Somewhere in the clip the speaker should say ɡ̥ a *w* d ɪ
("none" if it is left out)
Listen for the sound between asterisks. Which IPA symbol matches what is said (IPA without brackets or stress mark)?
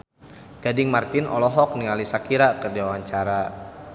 none